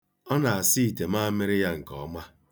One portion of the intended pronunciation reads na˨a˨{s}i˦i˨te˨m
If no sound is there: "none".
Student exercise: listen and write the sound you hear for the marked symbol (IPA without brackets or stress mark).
s